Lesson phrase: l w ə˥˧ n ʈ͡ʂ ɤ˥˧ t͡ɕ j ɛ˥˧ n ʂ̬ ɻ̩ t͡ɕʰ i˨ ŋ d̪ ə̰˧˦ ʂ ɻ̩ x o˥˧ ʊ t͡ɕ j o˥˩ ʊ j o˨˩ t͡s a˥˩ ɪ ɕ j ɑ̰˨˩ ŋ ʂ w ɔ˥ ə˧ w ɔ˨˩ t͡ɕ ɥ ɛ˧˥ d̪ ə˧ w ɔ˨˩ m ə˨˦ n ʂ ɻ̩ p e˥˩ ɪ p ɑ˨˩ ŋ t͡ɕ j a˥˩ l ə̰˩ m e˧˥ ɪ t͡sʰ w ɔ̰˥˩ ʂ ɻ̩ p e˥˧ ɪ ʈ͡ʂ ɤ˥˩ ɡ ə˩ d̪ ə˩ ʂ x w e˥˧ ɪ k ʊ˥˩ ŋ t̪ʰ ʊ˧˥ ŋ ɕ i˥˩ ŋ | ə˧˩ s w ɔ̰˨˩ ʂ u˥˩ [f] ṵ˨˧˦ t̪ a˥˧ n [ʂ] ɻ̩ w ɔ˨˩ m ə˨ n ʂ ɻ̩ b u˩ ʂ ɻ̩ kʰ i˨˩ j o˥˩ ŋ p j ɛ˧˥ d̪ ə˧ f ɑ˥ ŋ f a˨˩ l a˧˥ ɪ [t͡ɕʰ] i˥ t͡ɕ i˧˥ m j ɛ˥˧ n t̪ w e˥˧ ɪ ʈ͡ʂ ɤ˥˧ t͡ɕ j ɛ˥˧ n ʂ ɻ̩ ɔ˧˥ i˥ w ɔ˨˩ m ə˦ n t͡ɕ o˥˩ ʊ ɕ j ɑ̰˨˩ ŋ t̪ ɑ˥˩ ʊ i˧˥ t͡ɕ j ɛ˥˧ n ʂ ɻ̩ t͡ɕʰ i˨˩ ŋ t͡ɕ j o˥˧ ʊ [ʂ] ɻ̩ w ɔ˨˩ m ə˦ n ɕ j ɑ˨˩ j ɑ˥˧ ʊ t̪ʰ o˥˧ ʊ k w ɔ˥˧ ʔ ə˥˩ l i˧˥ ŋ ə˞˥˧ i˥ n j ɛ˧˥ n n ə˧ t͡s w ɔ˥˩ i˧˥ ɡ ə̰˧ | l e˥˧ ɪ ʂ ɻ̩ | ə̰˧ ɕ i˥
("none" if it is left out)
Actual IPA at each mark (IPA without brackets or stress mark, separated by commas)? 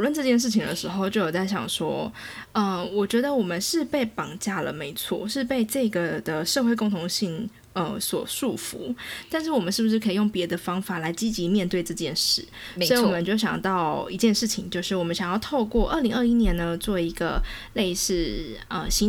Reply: f, ʂ, t͡ɕ, ʂ